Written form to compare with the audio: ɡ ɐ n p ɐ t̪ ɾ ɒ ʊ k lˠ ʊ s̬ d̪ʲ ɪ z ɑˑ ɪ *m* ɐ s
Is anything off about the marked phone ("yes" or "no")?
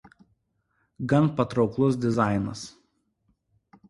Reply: yes